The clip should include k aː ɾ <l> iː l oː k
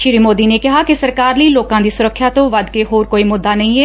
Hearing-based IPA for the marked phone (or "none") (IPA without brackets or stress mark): l